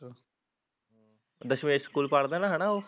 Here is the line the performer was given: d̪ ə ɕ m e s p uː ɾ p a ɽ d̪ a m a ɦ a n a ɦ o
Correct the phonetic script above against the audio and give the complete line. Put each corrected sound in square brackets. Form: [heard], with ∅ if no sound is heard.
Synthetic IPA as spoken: d̪ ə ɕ m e s [k] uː [l] p a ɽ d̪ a [n] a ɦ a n a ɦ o